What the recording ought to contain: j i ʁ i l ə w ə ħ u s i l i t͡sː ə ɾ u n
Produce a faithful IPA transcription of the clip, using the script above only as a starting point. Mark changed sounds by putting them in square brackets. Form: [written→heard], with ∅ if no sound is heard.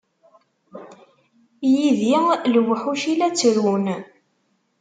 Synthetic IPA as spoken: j i [ʁ→ð] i l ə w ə ħ u [s→ʃ] i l [i→æ] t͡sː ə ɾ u n